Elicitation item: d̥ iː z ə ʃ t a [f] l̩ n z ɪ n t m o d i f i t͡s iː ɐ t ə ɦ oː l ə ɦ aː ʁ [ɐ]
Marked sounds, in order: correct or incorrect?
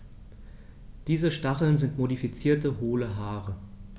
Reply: incorrect, incorrect

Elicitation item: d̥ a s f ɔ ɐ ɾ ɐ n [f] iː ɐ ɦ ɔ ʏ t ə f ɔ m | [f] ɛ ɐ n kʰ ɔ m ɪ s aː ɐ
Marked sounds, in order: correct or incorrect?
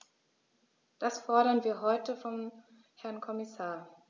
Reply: incorrect, incorrect

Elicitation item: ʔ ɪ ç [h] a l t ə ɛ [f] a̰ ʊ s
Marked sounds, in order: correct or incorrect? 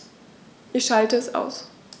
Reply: incorrect, incorrect

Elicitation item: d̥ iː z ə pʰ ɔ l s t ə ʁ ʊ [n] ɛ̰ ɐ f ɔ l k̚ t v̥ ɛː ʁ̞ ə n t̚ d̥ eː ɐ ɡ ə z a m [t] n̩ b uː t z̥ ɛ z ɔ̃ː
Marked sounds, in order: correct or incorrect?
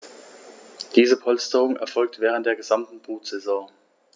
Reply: incorrect, correct

